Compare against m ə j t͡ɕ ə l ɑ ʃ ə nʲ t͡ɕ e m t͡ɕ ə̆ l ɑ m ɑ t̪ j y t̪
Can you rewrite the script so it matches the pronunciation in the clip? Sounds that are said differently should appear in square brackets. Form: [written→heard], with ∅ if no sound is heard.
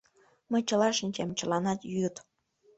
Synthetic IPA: m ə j t͡ɕ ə l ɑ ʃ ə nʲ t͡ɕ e m t͡ɕ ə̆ l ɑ [m→n] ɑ t̪ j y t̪